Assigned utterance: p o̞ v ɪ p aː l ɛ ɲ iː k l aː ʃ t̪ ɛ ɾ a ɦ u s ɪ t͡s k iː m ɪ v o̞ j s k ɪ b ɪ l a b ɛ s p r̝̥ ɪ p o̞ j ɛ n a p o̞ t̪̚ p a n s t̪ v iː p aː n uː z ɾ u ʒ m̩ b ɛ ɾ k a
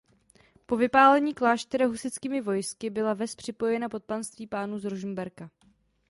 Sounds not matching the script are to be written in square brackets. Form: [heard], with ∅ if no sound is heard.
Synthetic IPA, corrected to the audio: p o̞ v ɪ p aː l ɛ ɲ iː k l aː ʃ t̪ ɛ ɾ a ɦ u s ɪ t͡s k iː m ɪ v o̞ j s k ɪ b ɪ l a [v] ɛ s p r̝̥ ɪ p o̞ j ɛ n a p o̞ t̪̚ p a n s t̪ v iː p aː n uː z ɾ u ʒ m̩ b ɛ ɾ k a